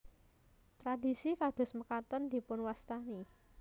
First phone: t̪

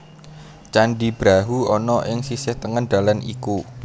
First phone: t͡ʃ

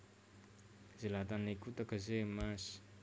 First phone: z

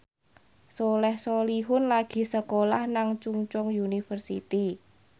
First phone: s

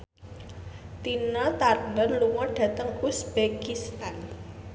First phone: t̪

